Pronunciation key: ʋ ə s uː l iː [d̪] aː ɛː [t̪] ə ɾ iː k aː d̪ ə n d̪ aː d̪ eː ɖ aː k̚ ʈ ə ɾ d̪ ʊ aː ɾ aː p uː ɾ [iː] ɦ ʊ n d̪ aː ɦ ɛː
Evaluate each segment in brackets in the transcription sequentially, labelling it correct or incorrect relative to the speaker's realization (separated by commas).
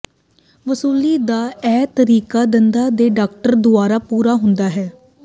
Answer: correct, correct, incorrect